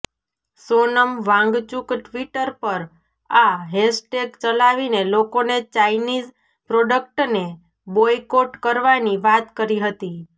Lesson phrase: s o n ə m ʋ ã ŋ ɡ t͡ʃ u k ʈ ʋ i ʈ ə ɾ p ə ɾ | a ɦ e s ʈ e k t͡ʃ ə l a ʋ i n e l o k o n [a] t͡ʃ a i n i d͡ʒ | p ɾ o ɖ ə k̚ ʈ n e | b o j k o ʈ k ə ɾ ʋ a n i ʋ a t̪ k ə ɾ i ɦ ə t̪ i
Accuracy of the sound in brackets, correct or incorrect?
incorrect